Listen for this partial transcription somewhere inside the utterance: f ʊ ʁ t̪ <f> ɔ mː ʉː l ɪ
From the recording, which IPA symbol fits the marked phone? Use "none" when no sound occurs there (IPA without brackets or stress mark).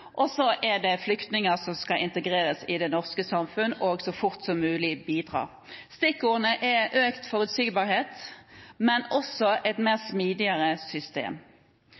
s